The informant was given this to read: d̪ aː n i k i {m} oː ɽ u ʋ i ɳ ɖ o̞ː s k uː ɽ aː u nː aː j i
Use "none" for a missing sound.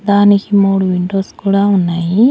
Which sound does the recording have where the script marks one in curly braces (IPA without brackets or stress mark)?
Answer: m